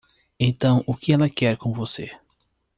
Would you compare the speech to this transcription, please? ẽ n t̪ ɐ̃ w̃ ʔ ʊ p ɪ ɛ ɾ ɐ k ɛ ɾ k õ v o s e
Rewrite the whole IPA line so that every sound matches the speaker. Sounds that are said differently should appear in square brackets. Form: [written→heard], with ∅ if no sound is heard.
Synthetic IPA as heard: ẽ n t̪ ɐ̃ w̃ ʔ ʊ [p→k] ɪ ɛ [ɾ→l] ɐ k ɛ ɾ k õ v o s e

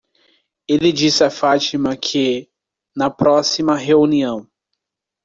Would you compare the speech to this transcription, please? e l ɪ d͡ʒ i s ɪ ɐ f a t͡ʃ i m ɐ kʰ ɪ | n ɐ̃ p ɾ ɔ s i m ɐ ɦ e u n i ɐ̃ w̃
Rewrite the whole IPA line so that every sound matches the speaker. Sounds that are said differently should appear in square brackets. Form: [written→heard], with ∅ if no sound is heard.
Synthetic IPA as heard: e l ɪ d͡ʒ i s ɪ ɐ f a t͡ʃ i m ɐ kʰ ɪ | n [ɐ̃→ɐ] p ɾ ɔ s i m ɐ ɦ e u n i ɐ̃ w̃

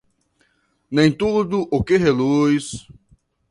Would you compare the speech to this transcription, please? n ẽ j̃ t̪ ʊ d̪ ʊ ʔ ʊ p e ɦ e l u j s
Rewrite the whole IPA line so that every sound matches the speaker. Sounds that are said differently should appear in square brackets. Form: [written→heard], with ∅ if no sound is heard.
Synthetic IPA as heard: n ẽ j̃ t̪ [ʊ→u] d̪ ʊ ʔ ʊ [p→k] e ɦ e l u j s

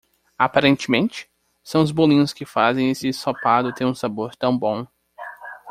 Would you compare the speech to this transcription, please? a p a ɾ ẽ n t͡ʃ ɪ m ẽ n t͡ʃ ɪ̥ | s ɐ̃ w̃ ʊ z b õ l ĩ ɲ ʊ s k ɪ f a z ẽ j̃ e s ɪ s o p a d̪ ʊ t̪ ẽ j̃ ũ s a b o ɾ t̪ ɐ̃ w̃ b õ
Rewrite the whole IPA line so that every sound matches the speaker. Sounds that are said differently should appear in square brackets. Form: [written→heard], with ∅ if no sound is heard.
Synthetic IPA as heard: a p a ɾ ẽ n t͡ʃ ɪ m ẽ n t͡ʃ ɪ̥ | s ɐ̃ w̃ ʊ z b [õ→o] l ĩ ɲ ʊ s k ɪ f a z ẽ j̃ e s ɪ s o p a d̪ ʊ t̪ ẽ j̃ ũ s a b o ɾ t̪ ɐ̃ w̃ b õ

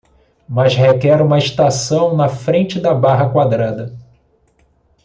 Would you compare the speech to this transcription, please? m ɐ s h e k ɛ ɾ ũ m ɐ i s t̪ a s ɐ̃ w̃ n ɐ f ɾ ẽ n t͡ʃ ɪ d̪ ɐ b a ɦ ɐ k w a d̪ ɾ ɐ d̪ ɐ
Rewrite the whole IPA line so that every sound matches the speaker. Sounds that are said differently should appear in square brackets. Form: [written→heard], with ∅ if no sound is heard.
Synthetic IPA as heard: m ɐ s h e k ɛ ɾ ũ m ɐ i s t̪ a s ɐ̃ w̃ n ɐ f ɾ ẽ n t͡ʃ ɪ d̪ ɐ b a ɦ ɐ k w a d̪ ɾ [ɐ→a] d̪ ɐ

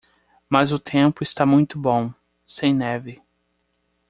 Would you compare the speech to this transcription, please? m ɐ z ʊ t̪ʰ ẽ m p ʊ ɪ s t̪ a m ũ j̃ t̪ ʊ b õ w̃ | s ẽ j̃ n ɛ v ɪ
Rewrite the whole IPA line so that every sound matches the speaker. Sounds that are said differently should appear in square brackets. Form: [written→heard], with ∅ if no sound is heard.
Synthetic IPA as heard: m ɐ z ʊ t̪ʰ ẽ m p ʊ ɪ s t̪ a m ũ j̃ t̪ ʊ b õ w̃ | s ẽ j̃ n ɛ v ɪ

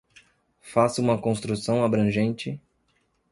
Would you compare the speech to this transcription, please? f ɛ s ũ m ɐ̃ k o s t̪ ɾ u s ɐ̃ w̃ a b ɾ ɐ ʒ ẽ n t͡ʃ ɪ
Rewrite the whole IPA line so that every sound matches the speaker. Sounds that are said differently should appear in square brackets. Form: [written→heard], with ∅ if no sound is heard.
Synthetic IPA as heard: f [ɛ→a] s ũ m [ɐ̃→ɐ] k [o→õ] s t̪ ɾ u s ɐ̃ w̃ a b ɾ [ɐ→ɐ̃] ʒ ẽ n t͡ʃ ɪ

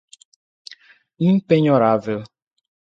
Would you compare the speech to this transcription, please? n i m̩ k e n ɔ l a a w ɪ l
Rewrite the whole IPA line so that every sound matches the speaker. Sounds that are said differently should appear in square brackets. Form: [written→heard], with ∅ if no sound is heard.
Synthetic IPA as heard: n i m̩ [k→p] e [n→ɲ] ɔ [l→ɾ] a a [w→v] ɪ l

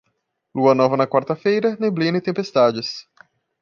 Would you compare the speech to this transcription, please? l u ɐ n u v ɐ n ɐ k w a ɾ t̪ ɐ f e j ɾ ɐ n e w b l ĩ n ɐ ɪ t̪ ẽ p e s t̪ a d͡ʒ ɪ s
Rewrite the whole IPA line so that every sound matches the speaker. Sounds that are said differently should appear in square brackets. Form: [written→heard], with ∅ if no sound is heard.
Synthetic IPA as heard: l u ɐ n [u→ɔ] v ɐ n ɐ k w a ɾ t̪ ɐ f e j ɾ ɐ n e [w→∅] b l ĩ n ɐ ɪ t̪ ẽ p e s t̪ a d͡ʒ ɪ s

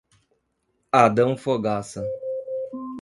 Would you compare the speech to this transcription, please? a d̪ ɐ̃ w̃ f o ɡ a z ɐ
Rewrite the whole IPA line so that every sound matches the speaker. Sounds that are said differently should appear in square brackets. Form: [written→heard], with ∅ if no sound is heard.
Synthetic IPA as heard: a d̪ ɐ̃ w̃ f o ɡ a [z→s] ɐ

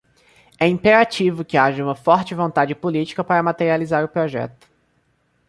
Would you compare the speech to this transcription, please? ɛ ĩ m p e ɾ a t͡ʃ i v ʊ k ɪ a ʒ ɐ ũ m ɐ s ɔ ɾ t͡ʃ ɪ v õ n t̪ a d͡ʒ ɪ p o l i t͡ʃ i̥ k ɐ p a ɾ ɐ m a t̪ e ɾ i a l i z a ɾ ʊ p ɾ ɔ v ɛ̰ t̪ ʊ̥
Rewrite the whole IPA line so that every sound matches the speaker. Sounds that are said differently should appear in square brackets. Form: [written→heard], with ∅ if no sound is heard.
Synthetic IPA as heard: ɛ ĩ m p e ɾ a t͡ʃ i v ʊ k ɪ a ʒ ɐ ũ m ɐ [s→f] ɔ ɾ t͡ʃ ɪ v õ n t̪ a d͡ʒ ɪ p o l i t͡ʃ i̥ k ɐ p a ɾ ɐ m a t̪ e ɾ i a l i z a ɾ ʊ p ɾ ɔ [v→ʒ] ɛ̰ t̪ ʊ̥

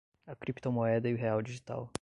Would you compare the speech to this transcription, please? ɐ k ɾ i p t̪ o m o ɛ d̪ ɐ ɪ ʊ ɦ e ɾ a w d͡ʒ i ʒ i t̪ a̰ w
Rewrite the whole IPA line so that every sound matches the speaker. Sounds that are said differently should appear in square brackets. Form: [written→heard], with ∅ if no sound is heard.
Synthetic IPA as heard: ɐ k ɾ i p t̪ o m o ɛ d̪ ɐ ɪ ʊ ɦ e [ɾ→∅] a w d͡ʒ i ʒ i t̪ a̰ w

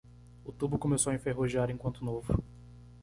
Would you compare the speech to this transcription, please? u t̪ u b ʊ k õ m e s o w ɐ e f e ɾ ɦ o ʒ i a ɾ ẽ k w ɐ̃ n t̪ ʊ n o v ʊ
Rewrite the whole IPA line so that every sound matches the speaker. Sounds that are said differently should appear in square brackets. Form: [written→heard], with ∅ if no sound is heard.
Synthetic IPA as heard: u t̪ u b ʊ k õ m e s o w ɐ [e→ẽ] f e [ɾ→∅] ɦ o ʒ i a ɾ ẽ k w ɐ̃ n t̪ ʊ n o v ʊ

